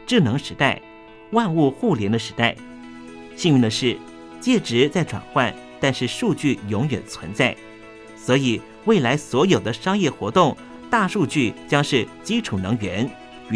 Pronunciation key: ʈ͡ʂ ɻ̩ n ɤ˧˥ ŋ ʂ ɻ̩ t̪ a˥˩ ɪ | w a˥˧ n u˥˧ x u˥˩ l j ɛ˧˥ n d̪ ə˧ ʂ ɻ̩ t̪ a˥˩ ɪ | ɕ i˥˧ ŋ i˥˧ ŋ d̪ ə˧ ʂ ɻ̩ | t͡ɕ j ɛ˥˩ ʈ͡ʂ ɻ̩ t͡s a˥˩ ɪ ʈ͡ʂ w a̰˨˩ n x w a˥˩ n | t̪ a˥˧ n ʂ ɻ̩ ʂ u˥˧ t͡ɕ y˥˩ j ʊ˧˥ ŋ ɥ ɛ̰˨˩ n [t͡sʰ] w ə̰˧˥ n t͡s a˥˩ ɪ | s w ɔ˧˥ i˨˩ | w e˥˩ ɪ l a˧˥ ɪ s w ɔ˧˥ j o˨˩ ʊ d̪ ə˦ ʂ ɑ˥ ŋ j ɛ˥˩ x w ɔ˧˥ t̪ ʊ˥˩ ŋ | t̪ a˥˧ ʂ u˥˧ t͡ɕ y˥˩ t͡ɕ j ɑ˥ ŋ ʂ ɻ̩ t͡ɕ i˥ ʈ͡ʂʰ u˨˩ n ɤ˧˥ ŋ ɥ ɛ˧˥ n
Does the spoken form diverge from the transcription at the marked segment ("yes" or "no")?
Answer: no